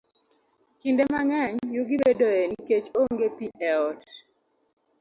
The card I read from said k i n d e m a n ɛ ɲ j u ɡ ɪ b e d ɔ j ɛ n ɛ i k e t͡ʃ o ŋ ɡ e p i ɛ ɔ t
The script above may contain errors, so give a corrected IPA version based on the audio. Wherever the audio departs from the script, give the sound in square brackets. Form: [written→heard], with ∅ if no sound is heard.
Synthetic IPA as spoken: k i n d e m a [n→ŋ] ɛ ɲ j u ɡ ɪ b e d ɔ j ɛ n [ɛ→i] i k e t͡ʃ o ŋ ɡ e p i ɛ ɔ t